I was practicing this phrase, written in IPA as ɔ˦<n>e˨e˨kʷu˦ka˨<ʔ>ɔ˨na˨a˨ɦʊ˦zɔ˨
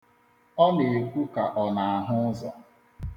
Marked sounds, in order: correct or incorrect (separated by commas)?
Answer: correct, correct